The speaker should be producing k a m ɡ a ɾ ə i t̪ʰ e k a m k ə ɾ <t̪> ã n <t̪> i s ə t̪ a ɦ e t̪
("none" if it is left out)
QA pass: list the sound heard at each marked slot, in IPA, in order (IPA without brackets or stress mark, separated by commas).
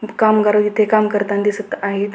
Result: t̪, d̪